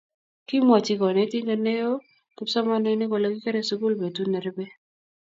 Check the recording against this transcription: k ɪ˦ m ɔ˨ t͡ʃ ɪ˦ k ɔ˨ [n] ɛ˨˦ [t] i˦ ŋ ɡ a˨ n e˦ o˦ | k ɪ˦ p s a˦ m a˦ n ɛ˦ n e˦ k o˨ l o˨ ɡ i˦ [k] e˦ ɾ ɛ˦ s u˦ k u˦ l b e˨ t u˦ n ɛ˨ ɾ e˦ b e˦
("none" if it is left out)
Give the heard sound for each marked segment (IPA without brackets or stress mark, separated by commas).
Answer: n, t, k